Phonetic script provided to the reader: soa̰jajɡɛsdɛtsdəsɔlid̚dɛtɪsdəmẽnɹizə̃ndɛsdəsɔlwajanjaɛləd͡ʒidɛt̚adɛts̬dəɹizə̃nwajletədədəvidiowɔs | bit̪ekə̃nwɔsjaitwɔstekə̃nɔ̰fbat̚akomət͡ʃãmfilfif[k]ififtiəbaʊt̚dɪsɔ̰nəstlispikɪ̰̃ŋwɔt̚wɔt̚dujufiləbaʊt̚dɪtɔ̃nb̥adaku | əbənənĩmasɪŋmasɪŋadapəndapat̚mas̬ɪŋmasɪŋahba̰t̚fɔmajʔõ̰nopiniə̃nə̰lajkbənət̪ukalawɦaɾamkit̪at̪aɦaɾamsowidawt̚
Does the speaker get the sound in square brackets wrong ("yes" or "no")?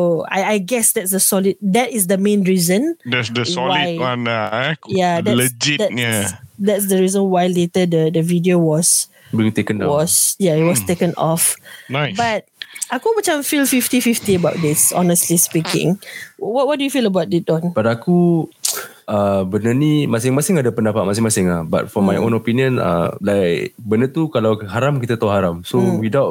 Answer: yes